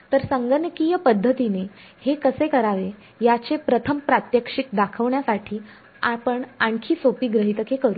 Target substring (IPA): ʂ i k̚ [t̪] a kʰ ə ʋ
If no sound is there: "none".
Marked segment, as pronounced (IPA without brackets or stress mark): d̪